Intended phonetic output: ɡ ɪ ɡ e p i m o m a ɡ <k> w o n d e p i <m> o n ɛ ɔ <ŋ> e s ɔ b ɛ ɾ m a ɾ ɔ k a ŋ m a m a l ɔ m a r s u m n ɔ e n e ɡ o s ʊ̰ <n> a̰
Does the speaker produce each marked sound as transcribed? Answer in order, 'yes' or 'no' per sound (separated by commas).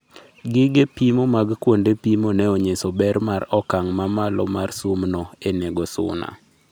yes, yes, no, yes